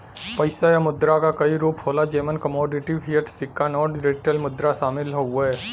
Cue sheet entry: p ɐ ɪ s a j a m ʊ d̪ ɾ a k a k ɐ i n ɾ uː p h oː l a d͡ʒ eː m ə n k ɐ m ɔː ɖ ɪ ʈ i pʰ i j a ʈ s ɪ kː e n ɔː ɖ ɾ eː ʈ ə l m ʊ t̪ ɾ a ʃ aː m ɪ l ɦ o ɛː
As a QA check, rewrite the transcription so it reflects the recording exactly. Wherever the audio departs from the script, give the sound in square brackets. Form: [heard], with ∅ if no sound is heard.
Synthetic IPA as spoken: p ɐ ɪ s a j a m ʊ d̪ ɾ a k a k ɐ i [∅] ɾ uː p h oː l a d͡ʒ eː m ə n k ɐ m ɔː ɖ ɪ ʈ i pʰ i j [ə] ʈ s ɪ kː [a] n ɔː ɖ ɾ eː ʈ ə l m ʊ [d̪] ɾ a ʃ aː m ɪ l ɦ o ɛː